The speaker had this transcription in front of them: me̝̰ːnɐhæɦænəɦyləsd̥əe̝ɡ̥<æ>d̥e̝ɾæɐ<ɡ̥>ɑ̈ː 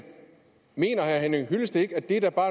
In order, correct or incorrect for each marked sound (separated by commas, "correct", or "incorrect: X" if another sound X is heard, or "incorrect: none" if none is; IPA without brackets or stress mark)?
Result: correct, incorrect: b̥